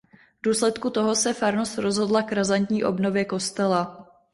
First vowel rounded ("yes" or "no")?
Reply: yes